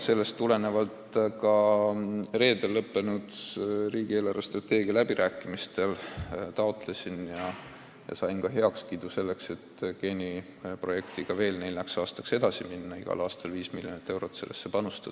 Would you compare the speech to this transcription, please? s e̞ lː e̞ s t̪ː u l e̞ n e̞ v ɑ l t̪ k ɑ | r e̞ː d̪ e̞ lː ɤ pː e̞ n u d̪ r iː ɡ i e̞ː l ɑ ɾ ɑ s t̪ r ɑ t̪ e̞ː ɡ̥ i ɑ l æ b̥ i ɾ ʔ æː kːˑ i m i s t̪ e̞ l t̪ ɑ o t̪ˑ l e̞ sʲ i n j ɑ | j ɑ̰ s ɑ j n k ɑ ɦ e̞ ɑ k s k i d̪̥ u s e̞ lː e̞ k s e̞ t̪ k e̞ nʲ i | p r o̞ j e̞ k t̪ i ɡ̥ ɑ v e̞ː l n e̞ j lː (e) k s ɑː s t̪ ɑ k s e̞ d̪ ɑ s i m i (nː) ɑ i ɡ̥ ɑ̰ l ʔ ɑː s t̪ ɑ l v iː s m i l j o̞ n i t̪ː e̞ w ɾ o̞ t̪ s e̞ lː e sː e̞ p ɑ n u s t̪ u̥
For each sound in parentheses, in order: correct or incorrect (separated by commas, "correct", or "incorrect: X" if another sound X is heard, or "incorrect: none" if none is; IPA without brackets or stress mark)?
incorrect: æ, correct